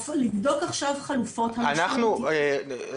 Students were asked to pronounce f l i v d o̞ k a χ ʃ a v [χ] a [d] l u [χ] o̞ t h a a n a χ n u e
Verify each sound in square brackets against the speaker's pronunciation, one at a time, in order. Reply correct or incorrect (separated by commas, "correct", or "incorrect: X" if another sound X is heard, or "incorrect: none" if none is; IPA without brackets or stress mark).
correct, incorrect: none, incorrect: f